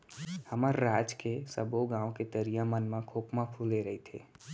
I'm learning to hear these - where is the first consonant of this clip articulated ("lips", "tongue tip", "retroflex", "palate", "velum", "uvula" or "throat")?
throat